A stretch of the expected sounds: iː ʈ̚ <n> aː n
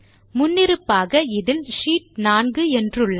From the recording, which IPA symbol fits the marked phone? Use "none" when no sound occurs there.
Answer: n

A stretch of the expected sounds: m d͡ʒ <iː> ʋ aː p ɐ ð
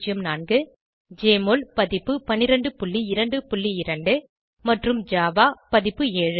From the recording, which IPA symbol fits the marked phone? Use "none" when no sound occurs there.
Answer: aː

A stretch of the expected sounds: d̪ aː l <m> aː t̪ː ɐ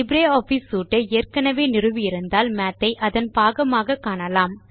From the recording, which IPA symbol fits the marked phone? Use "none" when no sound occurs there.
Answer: m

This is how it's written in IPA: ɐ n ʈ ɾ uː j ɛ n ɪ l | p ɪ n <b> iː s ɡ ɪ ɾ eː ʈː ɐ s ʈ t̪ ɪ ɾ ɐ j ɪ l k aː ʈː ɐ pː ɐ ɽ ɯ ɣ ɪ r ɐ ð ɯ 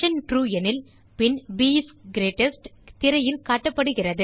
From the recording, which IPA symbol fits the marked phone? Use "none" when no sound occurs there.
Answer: b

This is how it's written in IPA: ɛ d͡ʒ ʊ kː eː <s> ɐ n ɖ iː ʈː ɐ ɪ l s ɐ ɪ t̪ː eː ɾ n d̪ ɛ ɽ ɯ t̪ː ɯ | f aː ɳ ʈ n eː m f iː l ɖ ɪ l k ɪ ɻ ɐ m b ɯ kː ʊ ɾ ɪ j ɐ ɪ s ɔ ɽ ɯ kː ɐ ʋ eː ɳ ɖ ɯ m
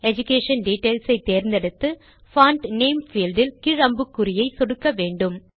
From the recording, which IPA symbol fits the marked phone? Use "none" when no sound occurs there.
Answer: ʂ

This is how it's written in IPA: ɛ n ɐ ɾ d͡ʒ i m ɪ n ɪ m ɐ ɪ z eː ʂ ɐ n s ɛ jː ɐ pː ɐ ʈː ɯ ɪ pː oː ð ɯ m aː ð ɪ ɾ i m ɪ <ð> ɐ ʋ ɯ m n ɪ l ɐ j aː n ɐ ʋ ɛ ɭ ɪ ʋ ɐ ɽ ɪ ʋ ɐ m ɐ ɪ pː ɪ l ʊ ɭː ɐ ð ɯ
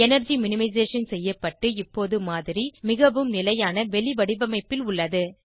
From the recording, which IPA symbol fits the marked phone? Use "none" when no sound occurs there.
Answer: ɣ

